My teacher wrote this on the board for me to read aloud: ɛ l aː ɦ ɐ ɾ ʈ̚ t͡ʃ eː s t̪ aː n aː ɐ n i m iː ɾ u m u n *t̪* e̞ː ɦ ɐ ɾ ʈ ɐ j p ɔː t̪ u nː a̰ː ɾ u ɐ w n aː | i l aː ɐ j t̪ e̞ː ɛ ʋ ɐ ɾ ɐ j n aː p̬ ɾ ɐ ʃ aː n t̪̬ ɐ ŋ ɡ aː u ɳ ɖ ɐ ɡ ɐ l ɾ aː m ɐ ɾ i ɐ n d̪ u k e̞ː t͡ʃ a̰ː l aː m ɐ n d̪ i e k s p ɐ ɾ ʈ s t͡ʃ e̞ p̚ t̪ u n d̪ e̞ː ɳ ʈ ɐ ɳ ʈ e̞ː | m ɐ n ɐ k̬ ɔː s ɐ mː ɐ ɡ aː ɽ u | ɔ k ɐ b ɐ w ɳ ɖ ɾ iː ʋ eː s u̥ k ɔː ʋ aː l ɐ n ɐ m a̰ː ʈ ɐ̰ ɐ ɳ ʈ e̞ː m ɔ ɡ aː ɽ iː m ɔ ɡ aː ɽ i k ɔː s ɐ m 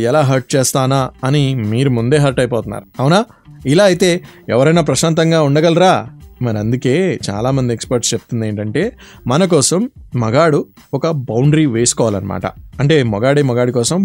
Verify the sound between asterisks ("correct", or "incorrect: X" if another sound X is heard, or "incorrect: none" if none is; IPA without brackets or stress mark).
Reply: incorrect: d̪